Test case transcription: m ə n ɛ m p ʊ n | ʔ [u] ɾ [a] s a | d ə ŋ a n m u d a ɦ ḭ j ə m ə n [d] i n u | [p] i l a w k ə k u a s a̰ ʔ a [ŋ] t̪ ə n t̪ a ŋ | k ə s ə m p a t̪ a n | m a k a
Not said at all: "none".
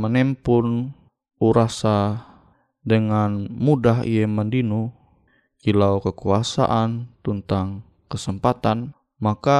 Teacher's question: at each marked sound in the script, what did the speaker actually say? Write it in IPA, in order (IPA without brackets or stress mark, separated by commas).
u, a, d, k, n